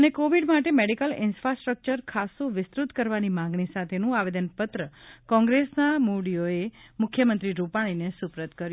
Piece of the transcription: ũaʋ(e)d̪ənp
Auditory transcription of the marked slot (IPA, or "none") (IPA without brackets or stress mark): e